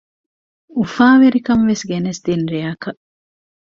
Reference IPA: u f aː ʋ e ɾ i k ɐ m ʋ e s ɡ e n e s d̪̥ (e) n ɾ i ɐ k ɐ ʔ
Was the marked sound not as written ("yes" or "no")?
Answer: yes